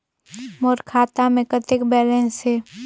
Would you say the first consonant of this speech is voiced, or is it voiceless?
voiced